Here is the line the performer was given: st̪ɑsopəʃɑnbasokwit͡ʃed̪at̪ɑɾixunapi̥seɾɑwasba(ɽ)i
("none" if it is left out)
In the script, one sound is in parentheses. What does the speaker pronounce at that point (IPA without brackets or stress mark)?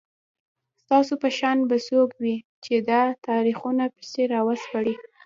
ɽ